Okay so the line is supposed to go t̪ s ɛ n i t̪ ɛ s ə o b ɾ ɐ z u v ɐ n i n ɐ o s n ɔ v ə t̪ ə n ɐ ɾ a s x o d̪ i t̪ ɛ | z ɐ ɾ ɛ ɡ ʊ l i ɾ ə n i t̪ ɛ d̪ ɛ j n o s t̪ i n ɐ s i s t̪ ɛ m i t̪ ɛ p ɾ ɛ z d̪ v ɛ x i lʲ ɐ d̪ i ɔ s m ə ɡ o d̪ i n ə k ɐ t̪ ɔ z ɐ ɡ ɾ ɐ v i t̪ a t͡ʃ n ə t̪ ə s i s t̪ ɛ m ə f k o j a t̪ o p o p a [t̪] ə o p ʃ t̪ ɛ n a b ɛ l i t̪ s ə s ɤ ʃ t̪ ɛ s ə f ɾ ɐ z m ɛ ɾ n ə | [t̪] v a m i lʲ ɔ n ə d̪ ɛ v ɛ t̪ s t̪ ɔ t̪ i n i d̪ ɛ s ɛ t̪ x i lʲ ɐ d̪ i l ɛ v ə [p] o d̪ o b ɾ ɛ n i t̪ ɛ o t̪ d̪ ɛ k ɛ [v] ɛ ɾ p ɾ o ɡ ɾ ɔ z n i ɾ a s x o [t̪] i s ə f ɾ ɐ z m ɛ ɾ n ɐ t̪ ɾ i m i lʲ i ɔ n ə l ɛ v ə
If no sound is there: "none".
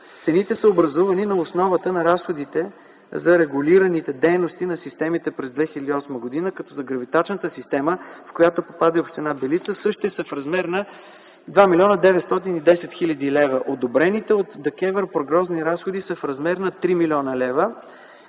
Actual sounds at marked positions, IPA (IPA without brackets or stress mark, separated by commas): d̪, d̪, ʔ, v, d̪